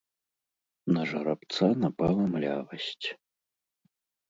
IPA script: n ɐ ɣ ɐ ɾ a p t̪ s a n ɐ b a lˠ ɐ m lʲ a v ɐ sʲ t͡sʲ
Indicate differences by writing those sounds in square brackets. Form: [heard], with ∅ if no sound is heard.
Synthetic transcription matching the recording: n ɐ [ʐ] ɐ ɾ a p t̪ s a n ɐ [p] a lˠ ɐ m lʲ a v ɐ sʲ t͡sʲ